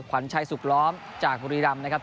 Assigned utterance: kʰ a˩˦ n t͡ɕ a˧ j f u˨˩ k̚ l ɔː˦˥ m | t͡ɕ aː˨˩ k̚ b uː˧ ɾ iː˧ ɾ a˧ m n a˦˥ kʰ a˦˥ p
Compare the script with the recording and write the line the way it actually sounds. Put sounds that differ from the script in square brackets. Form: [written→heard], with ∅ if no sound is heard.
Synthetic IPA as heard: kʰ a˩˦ n [t͡ɕ→t͡ɕʰ] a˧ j [f→s] u˨˩ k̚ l ɔː˦˥ m | t͡ɕ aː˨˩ k̚ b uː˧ ɾ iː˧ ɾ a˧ m n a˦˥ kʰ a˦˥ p